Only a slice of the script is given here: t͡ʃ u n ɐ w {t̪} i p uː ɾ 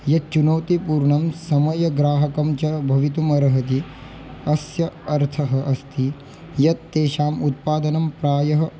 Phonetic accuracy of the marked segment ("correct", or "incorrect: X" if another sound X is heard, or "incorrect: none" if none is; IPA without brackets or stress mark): correct